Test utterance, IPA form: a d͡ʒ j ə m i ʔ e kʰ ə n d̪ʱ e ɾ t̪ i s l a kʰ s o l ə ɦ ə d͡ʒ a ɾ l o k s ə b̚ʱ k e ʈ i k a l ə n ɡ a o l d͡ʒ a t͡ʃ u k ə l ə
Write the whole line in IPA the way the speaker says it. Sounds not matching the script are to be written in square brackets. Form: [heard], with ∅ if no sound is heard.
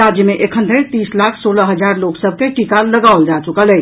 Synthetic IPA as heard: a d͡ʒ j ə m [e] ʔ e kʰ ə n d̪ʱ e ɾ t̪ i s l a kʰ s o l ə ɦ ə d͡ʒ a ɾ l o k s ə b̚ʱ k e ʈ i k a l ə [∅] ɡ a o l d͡ʒ a t͡ʃ u k ə l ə

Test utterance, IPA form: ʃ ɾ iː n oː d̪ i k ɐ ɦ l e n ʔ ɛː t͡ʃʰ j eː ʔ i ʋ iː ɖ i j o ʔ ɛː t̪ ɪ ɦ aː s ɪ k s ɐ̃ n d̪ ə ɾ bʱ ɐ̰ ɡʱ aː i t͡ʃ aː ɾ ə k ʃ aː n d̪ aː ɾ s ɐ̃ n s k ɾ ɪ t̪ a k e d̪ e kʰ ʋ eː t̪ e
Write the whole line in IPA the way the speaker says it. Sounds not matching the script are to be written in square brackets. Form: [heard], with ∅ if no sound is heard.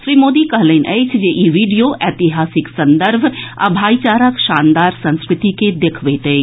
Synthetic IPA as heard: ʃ ɾ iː [m] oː d̪ i k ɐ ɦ l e n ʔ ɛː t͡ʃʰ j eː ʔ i ʋ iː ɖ i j o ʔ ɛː t̪ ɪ ɦ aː s ɪ k s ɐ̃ n d̪ ə ɾ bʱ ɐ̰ [bʱ] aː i t͡ʃ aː ɾ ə k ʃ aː n d̪ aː ɾ s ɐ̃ n s k ɾ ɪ t̪ [i] k e d̪ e kʰ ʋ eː t̪ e

